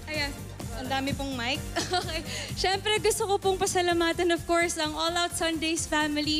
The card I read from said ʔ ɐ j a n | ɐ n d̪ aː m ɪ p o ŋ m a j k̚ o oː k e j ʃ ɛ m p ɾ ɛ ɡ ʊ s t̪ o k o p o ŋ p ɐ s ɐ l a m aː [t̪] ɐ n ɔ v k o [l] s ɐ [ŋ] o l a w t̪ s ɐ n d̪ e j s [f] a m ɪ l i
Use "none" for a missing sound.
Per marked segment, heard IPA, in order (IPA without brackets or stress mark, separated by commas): t̪, ɹ, ŋ, f